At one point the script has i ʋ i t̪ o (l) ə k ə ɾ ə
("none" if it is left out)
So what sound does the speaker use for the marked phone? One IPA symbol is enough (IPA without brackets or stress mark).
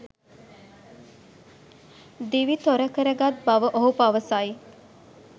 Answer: ɾ